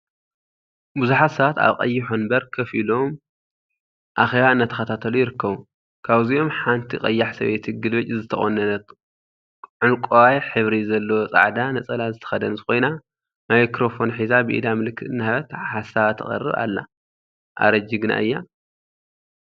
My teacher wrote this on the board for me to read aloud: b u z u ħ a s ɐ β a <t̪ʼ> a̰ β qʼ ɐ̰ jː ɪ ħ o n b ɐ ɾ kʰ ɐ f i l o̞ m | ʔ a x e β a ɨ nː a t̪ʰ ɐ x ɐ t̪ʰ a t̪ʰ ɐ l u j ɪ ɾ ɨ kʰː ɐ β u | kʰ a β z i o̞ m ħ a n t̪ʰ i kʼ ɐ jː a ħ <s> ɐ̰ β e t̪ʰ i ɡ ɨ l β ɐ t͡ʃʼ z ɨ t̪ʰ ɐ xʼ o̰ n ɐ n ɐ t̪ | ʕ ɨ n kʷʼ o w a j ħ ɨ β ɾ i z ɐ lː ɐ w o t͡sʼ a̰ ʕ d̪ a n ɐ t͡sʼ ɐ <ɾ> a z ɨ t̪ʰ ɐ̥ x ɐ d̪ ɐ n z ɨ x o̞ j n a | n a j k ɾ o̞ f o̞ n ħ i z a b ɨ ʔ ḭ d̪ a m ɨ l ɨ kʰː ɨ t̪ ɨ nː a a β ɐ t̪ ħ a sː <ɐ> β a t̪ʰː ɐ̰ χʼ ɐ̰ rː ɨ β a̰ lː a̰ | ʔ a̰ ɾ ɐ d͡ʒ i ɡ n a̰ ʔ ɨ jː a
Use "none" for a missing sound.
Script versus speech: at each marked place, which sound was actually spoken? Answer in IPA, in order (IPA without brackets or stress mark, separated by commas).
t̪, s, l, a